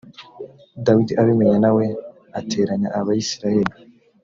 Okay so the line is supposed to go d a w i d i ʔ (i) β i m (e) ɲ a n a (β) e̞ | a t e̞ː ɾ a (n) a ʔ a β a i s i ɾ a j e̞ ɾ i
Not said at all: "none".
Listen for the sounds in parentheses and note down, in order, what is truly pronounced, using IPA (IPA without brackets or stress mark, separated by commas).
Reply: a, e, w, ɲ